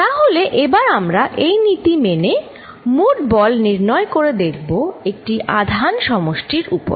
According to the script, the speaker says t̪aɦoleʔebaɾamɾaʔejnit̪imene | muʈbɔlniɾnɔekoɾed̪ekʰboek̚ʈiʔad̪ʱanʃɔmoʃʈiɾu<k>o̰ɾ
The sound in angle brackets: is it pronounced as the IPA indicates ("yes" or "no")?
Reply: no